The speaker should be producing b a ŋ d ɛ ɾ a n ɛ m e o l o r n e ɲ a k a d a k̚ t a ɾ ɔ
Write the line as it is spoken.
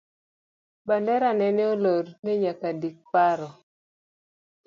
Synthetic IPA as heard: b a n d ɛ ɾ a n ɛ n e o l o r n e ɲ a k a d i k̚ p a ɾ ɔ